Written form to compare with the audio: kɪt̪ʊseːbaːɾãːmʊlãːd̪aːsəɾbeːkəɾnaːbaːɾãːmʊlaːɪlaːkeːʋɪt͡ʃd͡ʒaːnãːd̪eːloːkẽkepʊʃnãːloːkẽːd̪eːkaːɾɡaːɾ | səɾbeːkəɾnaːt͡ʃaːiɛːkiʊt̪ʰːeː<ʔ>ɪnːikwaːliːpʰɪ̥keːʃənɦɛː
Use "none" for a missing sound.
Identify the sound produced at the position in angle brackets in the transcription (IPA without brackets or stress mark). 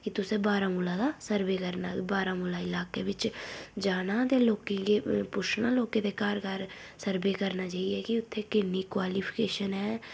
k